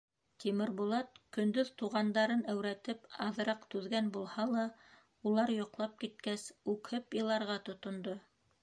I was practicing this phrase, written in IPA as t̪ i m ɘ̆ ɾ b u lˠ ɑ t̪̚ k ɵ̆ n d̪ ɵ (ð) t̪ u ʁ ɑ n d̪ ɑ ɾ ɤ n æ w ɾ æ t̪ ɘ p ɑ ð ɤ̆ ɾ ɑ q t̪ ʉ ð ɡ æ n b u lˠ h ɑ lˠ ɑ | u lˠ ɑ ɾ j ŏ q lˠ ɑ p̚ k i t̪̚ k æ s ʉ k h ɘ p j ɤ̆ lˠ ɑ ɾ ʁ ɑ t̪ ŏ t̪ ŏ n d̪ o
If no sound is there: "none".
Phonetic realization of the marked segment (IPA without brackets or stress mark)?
ð